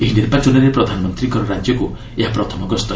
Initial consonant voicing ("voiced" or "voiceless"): voiced